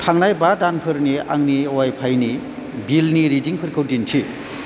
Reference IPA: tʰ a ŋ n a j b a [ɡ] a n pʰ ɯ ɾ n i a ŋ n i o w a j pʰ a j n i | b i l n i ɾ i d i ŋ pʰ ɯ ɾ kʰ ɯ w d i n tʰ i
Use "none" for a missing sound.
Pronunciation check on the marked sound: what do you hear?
d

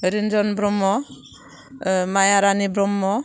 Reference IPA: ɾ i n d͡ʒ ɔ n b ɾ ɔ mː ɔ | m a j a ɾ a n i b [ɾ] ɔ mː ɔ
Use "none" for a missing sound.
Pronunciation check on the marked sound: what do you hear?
ɾ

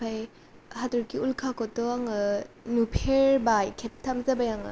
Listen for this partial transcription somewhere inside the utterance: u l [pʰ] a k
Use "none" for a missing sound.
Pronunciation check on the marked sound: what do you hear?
kʰ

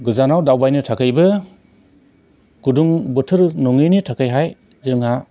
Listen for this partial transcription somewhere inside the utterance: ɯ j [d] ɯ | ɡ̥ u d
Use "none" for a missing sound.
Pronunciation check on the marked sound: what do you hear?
b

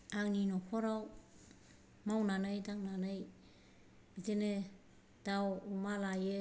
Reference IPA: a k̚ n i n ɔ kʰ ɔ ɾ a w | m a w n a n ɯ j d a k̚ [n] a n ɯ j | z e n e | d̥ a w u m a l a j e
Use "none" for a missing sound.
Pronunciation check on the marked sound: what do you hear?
n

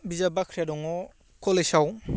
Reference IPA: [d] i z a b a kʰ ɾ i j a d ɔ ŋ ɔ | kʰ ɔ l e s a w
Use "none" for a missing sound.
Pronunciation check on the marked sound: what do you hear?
b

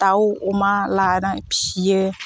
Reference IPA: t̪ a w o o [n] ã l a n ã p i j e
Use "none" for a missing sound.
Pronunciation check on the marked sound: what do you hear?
m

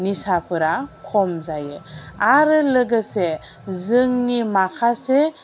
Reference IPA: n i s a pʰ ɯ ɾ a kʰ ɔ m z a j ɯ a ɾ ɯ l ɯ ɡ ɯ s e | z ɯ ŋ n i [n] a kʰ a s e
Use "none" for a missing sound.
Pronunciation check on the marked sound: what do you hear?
m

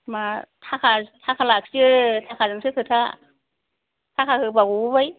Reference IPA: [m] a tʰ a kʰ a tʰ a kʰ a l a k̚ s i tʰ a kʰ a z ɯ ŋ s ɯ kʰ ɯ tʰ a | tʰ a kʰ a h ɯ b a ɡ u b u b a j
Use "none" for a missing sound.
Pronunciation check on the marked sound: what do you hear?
m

